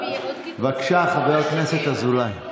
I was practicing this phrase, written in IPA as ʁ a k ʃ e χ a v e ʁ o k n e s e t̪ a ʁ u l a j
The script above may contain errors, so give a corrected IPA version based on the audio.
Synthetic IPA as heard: v a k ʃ a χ a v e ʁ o k n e s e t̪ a z u l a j